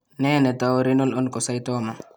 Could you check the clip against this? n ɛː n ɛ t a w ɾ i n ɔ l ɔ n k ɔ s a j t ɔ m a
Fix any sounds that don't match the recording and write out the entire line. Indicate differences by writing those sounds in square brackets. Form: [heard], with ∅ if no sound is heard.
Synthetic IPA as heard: n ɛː n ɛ t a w ɾ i n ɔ l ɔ n k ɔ s a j t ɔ m a